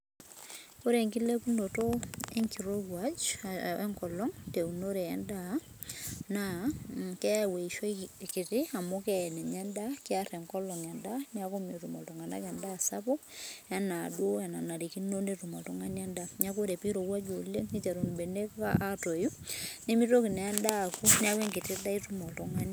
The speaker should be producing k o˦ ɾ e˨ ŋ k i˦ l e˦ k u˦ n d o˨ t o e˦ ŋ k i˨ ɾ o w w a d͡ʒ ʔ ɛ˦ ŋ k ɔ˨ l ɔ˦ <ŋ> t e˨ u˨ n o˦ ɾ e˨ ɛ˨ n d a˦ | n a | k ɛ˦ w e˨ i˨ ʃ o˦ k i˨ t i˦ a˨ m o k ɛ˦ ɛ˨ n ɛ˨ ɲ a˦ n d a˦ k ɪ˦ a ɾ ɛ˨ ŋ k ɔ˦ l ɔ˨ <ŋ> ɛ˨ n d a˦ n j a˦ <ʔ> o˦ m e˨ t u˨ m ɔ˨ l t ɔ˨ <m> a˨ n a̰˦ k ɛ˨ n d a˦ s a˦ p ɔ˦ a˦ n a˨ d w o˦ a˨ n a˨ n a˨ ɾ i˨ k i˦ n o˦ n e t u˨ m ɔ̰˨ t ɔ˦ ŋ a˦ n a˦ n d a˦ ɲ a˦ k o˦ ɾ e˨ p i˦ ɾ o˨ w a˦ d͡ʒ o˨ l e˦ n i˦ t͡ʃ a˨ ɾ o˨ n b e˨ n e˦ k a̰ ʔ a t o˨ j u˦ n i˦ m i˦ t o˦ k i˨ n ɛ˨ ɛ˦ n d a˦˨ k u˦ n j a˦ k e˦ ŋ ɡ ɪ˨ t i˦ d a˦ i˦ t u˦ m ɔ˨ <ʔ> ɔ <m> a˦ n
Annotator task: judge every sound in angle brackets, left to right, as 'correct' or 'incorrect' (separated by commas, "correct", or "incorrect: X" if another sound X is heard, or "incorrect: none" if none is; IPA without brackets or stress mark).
correct, correct, incorrect: k, incorrect: ŋ, incorrect: t, incorrect: ŋ